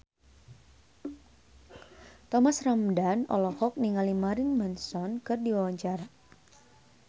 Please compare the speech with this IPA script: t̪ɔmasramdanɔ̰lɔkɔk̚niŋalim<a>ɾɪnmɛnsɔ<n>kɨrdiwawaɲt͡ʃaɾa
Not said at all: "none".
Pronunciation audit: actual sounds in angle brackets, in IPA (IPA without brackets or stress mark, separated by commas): a, n